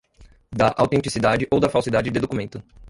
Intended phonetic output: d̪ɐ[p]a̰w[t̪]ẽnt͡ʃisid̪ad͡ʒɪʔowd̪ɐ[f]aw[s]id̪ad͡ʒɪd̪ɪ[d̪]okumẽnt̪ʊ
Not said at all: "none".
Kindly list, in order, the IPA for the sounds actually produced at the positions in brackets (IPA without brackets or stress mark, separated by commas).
ʔ, t̪, f, s, d̪